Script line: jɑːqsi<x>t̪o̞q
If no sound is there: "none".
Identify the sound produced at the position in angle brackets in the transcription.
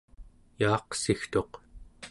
x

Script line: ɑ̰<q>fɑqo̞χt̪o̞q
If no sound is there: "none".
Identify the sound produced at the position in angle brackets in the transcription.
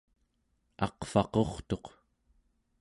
q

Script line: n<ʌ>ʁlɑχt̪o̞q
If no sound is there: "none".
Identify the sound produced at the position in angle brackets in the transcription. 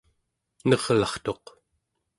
ʌ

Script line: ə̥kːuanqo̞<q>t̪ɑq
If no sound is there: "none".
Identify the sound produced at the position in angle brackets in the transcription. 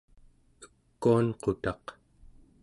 none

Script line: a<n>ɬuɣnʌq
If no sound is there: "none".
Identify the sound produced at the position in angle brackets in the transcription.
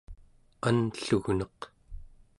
n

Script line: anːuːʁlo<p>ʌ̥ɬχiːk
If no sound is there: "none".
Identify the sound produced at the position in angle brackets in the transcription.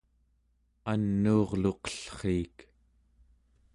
q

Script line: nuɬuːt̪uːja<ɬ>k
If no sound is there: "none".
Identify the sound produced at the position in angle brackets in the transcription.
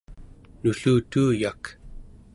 none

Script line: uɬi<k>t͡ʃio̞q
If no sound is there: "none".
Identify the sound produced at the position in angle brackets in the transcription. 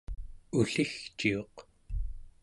x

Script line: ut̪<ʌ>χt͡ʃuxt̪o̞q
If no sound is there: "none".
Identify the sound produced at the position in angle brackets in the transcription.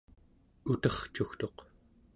ʌ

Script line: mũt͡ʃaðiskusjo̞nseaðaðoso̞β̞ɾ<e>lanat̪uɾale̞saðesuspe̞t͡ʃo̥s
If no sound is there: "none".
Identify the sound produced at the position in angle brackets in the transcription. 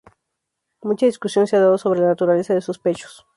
e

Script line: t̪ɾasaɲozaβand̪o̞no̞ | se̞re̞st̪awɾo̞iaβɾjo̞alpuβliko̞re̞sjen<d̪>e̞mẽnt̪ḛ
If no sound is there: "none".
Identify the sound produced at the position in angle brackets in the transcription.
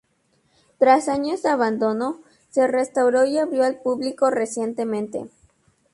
t̪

